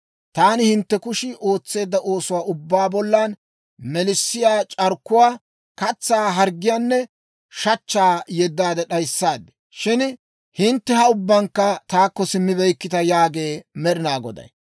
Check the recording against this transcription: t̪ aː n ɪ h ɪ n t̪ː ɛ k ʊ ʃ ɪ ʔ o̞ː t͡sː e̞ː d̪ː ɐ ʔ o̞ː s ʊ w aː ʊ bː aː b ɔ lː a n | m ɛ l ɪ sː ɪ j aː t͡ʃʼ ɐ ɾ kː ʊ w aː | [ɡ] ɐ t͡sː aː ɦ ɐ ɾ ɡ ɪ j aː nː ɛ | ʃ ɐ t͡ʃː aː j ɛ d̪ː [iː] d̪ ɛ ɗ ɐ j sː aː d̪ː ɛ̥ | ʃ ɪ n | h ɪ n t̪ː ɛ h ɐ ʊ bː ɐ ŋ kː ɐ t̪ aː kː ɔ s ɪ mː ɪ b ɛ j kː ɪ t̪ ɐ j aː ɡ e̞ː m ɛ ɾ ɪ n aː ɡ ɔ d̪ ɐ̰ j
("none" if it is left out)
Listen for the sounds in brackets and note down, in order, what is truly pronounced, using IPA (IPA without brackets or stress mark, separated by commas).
k, aː